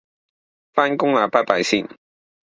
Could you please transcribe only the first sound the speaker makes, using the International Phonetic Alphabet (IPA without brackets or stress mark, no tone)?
f